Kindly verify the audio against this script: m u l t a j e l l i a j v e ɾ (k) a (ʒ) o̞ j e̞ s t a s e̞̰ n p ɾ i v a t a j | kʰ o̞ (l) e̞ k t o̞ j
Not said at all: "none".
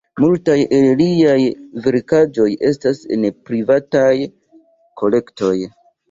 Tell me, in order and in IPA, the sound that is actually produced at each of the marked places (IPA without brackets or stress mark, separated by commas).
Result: k, d͡ʒ, l